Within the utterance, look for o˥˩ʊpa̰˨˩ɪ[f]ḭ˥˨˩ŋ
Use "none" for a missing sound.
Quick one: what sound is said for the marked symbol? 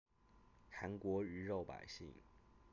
ɕ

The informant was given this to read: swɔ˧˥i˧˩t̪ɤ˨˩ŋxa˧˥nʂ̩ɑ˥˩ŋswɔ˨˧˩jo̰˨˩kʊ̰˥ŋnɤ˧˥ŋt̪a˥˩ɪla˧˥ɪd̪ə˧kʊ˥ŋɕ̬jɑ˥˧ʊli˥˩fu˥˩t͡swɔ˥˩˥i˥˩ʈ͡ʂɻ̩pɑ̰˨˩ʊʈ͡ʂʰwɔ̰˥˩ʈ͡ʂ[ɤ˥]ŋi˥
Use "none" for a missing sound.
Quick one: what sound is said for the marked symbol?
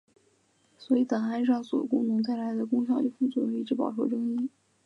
ɤ˥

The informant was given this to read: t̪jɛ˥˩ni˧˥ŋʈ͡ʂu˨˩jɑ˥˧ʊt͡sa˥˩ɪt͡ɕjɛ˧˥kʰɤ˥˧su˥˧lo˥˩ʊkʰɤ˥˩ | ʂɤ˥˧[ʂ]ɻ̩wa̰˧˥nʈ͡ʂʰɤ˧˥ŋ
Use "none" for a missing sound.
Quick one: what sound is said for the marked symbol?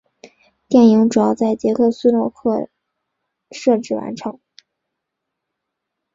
ʈ͡ʂ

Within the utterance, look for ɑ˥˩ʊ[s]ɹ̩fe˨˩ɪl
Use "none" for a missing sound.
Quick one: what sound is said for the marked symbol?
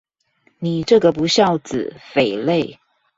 t͡s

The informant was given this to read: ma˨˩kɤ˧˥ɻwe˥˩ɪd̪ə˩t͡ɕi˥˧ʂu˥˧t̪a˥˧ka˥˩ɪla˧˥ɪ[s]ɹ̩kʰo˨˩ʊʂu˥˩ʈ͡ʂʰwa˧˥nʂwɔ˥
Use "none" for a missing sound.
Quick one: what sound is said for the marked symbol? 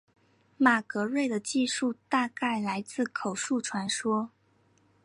t͡s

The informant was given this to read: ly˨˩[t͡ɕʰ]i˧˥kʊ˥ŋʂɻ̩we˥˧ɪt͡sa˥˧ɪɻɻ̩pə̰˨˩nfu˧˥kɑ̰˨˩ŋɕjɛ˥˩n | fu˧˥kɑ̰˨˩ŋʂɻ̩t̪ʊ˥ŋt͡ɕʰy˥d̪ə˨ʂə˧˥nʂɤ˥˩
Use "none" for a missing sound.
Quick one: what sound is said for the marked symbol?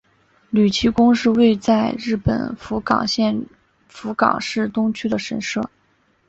t͡ɕʰ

